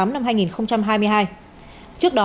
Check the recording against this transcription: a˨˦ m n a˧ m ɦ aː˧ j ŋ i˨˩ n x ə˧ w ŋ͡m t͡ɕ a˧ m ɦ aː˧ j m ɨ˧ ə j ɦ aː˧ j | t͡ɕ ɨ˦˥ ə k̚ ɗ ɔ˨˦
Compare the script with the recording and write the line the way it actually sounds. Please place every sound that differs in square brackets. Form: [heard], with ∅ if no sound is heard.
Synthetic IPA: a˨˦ m n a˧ m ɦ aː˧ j ŋ i˨˩ n x ə˧ w ŋ͡m t͡ɕ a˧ m ɦ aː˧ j m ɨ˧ ə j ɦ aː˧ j | t͡ɕ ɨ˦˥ ə k̚ ɗ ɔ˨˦